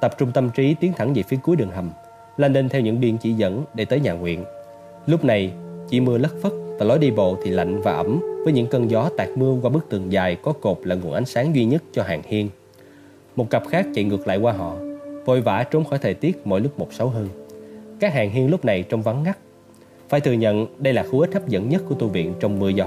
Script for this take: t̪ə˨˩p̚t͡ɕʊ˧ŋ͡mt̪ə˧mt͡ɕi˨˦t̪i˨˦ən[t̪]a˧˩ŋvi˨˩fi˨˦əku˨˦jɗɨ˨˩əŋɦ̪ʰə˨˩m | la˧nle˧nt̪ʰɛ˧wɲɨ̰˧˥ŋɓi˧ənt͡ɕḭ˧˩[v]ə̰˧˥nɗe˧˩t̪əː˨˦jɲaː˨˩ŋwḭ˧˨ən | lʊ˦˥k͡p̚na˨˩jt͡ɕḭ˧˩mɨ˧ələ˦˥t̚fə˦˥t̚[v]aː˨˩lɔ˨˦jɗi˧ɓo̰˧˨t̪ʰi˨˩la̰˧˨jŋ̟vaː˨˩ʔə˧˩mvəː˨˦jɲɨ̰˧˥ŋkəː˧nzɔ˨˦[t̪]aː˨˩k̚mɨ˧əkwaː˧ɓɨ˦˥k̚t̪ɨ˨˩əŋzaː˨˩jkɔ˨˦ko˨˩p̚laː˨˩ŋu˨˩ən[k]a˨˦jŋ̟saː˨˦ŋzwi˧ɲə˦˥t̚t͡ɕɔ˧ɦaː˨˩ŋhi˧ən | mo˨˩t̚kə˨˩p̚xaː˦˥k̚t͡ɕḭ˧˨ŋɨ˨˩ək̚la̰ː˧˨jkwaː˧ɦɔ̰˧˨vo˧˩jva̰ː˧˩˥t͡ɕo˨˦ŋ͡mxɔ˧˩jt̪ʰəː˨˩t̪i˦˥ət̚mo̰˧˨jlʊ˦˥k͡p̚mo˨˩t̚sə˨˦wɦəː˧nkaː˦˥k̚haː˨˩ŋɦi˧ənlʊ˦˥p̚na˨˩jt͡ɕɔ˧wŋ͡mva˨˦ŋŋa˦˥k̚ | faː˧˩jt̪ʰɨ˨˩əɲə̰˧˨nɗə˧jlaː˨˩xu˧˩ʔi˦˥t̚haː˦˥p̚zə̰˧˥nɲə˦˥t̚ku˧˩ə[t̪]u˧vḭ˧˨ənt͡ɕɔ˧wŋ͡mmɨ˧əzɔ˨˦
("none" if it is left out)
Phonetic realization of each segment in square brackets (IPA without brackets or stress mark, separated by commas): t̪ʰ, z, v, t̪, ʔ, t̪